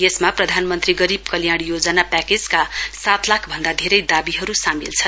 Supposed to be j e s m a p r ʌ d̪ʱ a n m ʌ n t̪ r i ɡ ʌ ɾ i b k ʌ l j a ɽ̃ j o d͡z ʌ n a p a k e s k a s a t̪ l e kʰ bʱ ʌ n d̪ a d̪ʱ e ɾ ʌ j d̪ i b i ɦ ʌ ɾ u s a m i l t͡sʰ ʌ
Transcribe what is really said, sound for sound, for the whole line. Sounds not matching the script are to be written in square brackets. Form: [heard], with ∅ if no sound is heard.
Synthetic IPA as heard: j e s m a p r ʌ d̪ʱ a n m ʌ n t̪ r i ɡ ʌ ɾ i b k ʌ l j a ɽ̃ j o d͡z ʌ n a p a k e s k a s a t̪ l [a] kʰ bʱ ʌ n d̪ a d̪ʱ e ɾ ʌ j d̪ [a] b i ɦ ʌ ɾ u s a m i l t͡sʰ ʌ